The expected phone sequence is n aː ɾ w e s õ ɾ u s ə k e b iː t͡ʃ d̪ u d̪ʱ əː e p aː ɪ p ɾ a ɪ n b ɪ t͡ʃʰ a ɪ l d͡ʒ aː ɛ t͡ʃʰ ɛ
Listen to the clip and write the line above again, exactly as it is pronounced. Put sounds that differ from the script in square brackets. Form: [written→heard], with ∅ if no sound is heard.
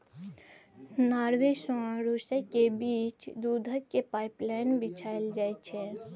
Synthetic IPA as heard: n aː ɾ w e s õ ɾ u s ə k e b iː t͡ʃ d̪ u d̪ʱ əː e p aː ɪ p [ɾ→l] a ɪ n b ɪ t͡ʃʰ a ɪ l d͡ʒ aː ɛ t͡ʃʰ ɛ